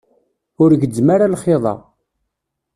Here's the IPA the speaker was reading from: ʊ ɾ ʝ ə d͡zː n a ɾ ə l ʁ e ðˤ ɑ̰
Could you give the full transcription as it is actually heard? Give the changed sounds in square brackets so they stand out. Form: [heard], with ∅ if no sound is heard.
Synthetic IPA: ʊ ɾ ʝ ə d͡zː [m] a ɾ [a] l [χ] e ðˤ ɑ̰